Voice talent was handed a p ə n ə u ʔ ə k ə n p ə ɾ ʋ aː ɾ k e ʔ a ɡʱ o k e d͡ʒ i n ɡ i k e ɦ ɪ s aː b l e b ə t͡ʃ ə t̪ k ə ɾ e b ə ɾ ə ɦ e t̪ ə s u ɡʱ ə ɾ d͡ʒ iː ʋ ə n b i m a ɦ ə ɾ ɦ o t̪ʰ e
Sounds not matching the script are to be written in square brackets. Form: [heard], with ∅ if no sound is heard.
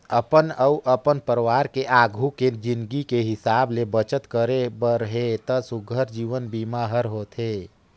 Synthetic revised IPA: [ə] p ə n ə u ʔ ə [p] ə n p ə ɾ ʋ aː ɾ k e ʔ a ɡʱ [u] k e d͡ʒ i n ɡ i k e ɦ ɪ s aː b l e b ə t͡ʃ ə t̪ k ə ɾ e b ə ɾ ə ɦ e t̪ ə s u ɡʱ ə ɾ d͡ʒ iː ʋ ə n b i m a ɦ ə ɾ ɦ o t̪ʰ e